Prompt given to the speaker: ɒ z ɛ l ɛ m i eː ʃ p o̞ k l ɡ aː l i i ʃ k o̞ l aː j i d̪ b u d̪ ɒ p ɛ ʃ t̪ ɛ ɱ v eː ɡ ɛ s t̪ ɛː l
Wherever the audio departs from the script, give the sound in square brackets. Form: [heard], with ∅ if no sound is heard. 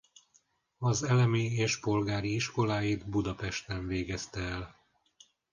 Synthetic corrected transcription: ɒ z ɛ l ɛ m i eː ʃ p o̞ [∅] l ɡ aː [ɾ] i i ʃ k o̞ l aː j i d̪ b u d̪ ɒ p ɛ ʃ t̪ ɛ ɱ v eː ɡ ɛ s t̪ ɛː l